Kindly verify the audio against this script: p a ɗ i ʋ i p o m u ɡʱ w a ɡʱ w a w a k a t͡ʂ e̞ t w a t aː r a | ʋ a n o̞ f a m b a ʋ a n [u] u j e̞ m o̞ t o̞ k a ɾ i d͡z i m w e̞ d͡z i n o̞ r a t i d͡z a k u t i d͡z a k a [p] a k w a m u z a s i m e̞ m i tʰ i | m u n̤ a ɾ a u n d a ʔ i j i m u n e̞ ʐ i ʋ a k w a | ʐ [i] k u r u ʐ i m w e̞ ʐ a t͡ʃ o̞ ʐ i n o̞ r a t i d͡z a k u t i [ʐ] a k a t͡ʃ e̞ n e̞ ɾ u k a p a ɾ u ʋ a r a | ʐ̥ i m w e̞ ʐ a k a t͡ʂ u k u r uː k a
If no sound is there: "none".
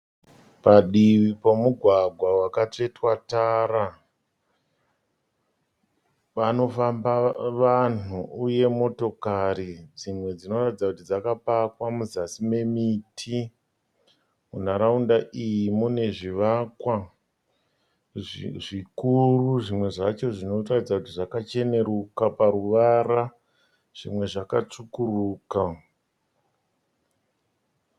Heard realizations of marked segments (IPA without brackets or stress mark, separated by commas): u, p, i, ʐ